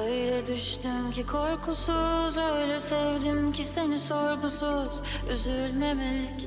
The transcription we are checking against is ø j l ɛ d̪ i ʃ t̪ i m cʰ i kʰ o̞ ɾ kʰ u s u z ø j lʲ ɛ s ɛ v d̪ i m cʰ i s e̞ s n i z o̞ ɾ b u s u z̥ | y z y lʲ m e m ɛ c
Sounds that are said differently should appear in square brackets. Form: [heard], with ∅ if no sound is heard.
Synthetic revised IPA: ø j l ɛ d̪ [y] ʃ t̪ [y] m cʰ i kʰ o̞ ɾ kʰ u s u z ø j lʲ ɛ s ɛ v d̪ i m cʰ i s e̞ [∅] n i [s] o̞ ɾ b u s u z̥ | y z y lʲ m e m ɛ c